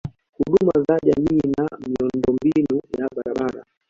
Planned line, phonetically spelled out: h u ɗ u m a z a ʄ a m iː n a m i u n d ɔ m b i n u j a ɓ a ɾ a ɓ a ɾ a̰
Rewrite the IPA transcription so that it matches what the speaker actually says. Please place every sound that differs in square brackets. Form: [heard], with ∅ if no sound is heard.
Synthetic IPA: h u ɗ u m a z a ʄ a m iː n a m i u n d ɔ m b i n u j a ɓ a ɾ a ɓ a ɾ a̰